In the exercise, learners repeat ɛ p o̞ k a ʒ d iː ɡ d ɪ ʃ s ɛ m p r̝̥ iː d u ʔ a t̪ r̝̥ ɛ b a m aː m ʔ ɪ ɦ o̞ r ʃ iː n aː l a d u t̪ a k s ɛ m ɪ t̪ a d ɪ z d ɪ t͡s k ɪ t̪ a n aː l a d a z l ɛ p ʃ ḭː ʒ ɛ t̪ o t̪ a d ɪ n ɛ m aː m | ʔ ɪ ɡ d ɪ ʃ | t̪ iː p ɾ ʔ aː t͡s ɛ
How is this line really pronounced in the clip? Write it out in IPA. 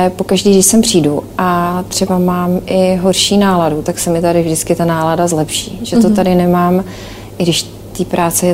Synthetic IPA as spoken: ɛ p o̞ k a ʒ d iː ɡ d ɪ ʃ s ɛ m p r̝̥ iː d u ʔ a t̪ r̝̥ ɛ b a m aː m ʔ ɪ ɦ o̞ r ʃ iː n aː l a d u t̪ a k s ɛ m ɪ t̪ a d ɪ v d ɪ t͡s k ɪ t̪ a n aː l a d a z l ɛ p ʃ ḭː ʒ ɛ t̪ o t̪ a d ɪ n ɛ m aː m | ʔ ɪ ɡ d ɪ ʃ | t̪ iː p ɾ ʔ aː t͡s ɛ